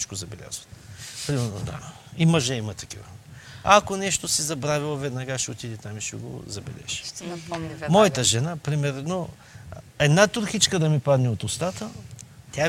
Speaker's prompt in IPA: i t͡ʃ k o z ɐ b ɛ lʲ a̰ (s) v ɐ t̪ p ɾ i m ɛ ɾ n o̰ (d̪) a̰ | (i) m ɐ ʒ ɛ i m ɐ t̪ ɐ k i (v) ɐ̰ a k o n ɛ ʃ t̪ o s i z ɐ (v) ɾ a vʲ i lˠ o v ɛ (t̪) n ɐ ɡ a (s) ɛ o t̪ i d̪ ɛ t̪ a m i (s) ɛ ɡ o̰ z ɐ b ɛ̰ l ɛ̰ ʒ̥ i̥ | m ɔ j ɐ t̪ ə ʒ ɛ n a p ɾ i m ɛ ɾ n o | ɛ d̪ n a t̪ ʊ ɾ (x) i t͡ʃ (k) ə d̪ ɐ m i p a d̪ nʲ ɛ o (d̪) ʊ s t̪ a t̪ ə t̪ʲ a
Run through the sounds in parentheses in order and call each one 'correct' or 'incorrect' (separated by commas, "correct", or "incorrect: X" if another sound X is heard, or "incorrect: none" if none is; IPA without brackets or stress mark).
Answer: incorrect: z, correct, correct, correct, incorrect: b, incorrect: d̪, incorrect: ʃ, incorrect: ʃ, correct, correct, incorrect: t̪